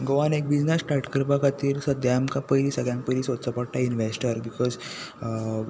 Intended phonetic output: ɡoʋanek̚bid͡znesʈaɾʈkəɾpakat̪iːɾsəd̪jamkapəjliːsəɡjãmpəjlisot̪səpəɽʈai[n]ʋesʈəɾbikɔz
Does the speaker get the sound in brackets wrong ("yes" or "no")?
no